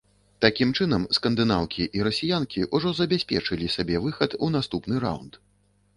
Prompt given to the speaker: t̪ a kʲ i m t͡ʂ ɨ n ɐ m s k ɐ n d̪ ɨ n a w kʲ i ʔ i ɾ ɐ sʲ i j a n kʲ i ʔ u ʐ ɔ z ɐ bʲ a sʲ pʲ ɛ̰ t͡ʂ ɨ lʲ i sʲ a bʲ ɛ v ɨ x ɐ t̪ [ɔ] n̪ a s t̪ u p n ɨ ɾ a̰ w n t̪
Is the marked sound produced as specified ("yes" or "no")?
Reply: no